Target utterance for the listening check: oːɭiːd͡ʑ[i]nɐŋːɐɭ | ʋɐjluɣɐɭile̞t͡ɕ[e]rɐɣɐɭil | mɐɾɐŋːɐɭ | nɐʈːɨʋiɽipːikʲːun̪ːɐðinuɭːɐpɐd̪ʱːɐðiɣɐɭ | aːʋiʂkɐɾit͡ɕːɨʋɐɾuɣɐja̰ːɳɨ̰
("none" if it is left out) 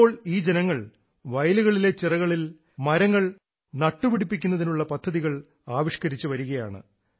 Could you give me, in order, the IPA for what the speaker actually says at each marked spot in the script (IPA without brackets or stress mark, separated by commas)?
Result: e, i